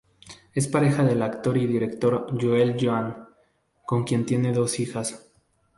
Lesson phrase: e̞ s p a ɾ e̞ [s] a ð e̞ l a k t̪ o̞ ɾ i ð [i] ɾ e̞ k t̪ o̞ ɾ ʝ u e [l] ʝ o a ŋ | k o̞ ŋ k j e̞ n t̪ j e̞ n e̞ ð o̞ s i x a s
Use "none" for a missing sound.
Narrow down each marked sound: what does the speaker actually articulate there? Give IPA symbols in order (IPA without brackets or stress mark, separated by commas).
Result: x, i, l